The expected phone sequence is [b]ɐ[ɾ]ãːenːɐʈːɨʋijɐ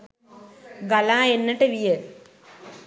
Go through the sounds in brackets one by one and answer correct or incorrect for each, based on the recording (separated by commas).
incorrect, incorrect